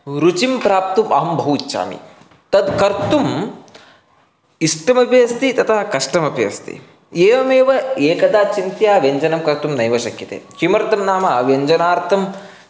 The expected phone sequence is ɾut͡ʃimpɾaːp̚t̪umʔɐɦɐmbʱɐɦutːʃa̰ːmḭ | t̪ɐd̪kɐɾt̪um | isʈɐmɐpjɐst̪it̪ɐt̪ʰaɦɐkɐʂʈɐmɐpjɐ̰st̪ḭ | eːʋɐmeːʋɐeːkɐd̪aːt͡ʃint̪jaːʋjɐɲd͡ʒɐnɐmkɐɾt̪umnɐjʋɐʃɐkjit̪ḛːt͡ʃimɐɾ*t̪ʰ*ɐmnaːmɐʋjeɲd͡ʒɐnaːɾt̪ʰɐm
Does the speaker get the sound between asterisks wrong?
yes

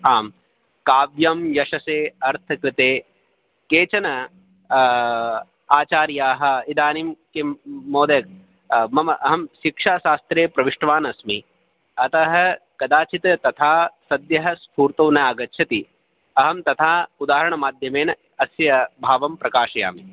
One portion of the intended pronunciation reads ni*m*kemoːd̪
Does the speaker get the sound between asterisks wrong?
no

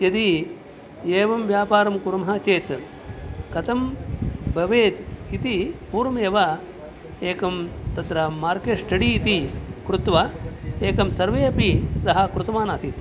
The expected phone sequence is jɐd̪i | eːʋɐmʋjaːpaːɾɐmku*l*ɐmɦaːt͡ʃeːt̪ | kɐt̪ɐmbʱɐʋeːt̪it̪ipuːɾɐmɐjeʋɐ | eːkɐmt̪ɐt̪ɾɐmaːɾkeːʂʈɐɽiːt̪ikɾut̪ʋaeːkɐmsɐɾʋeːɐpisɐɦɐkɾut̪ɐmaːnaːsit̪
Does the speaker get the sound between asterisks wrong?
yes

